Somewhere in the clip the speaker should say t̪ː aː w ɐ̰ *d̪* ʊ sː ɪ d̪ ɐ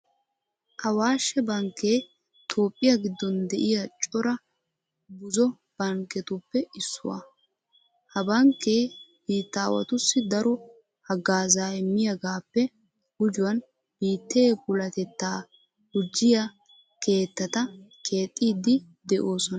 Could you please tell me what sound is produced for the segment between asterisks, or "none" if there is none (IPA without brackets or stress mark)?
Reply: t̪